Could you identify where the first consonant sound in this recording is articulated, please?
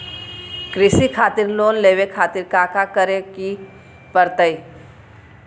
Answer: velar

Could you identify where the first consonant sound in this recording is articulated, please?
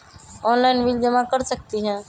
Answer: alveolar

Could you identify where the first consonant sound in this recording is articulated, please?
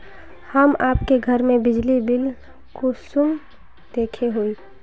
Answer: glottal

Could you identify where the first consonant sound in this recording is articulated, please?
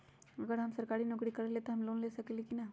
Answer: velar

